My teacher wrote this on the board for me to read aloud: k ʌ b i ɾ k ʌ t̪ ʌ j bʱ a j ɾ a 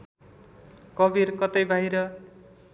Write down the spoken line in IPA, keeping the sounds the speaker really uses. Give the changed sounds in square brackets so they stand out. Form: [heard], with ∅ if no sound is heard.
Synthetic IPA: k ʌ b i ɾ k ʌ t̪ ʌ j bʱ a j ɾ [ʌ]